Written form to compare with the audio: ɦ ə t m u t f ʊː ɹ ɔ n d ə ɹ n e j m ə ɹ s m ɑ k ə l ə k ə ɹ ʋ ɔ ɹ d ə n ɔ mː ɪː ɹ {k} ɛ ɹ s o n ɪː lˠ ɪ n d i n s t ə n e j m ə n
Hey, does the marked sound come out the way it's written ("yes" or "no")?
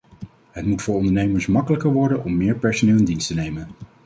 no